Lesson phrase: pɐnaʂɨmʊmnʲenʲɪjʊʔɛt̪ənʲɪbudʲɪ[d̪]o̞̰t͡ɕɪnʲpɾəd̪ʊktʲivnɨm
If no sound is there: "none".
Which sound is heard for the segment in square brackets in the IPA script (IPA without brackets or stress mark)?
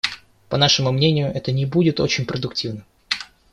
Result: t̪